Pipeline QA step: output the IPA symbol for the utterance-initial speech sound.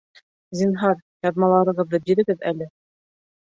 z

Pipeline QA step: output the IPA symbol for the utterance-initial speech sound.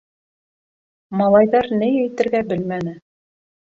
m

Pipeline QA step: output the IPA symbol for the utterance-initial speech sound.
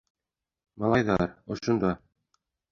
m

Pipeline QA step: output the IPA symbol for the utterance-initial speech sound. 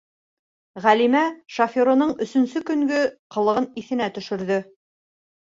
ʁ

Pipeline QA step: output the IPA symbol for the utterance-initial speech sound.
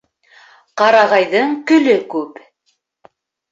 q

